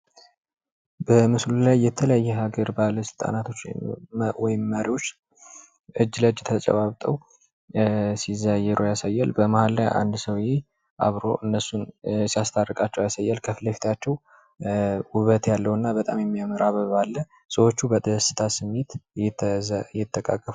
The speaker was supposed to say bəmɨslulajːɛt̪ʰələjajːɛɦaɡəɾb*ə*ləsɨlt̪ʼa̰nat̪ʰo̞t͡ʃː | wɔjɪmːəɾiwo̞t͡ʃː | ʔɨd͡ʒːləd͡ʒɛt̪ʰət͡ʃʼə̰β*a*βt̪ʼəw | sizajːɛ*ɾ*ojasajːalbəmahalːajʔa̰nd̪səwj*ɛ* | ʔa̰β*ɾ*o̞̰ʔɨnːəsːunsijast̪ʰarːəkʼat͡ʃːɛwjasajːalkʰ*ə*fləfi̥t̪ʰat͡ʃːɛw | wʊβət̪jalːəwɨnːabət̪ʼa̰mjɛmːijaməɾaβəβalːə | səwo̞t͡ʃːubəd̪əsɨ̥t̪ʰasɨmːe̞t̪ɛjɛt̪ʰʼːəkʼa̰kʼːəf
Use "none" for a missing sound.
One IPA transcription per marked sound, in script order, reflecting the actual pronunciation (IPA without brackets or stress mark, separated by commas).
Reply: a, a, ɾ, e, ɾ, ə